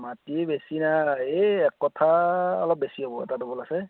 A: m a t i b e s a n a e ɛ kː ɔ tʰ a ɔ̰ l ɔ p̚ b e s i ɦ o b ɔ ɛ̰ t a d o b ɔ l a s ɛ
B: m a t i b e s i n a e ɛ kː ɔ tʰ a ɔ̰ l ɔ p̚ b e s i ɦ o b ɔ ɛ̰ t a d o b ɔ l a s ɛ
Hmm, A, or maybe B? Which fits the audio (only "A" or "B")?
B